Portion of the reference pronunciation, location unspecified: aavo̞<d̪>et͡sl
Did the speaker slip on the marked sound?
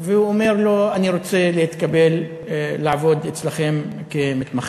no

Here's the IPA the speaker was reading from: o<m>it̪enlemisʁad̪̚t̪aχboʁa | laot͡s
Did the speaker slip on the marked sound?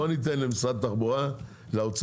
yes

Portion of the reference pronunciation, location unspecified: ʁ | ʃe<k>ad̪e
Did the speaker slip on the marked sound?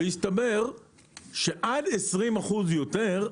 yes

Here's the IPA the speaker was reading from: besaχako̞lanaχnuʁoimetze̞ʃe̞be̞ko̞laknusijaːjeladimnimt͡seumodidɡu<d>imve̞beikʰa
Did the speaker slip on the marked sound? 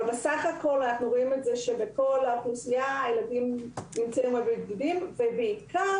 no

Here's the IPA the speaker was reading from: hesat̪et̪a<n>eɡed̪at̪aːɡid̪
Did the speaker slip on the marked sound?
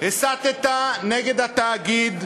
no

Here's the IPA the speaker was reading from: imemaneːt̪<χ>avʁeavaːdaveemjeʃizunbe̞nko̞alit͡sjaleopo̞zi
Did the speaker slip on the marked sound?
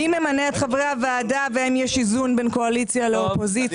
no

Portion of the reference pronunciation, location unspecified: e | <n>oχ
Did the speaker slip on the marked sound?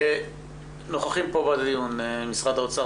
no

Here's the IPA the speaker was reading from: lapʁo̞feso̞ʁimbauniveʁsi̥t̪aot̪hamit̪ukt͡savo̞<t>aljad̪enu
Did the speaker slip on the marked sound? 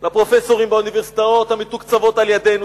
no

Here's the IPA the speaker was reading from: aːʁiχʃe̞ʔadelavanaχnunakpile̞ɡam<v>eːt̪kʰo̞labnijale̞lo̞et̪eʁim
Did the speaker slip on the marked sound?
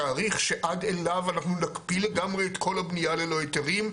yes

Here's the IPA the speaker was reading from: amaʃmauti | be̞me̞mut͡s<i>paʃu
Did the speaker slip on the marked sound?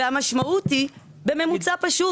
yes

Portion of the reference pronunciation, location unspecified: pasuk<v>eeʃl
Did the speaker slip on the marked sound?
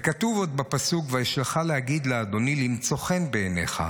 no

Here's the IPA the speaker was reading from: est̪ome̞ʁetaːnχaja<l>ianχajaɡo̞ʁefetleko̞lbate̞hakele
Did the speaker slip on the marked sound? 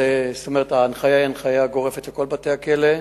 yes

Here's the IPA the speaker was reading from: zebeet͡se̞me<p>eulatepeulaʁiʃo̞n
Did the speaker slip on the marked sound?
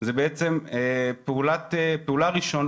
no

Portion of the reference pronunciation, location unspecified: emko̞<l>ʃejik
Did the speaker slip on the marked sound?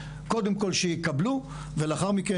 no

